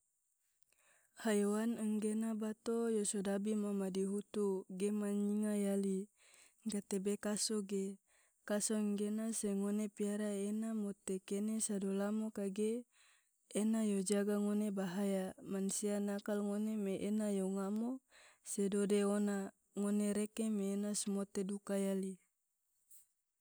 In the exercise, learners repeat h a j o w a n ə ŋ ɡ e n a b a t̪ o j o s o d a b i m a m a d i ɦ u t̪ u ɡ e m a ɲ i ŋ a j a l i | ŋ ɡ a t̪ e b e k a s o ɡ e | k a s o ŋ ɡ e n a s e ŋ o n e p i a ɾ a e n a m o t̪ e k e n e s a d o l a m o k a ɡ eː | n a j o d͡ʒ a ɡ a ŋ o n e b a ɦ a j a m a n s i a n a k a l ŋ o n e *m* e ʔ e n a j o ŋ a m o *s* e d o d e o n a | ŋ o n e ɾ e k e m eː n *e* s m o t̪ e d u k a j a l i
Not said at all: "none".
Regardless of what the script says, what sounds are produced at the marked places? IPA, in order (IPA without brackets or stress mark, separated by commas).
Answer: m, s, a